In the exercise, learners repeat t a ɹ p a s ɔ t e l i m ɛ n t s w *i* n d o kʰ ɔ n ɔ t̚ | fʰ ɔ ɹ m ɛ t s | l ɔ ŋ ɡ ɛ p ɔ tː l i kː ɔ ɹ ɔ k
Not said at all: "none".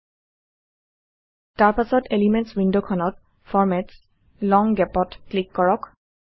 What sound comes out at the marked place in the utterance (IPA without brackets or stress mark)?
i